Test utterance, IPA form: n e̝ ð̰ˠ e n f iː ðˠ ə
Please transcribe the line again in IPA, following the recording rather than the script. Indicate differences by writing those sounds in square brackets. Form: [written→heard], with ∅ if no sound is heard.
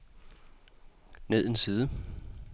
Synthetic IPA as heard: n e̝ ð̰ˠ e n [f→s] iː ðˠ ə